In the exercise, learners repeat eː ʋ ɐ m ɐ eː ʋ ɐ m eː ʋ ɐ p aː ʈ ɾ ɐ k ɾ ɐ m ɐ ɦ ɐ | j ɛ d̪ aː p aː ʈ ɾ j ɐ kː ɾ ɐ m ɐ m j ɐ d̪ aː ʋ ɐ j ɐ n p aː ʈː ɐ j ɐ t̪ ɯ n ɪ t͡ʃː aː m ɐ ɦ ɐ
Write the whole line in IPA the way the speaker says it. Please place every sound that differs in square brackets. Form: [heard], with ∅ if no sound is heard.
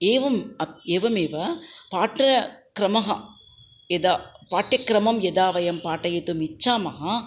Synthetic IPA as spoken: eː ʋ ɐ m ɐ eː ʋ ɐ m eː ʋ ɐ p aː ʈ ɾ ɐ k ɾ ɐ m ɐ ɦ ɐ | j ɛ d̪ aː p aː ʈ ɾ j ɐ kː ɾ ɐ m ɐ m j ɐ d̪ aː ʋ ɐ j ɐ [m] p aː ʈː ɐ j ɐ t̪ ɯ [m] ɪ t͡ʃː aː m ɐ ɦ ɐ